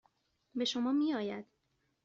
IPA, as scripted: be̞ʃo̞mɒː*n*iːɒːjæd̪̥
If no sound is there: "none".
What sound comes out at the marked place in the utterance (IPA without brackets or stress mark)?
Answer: m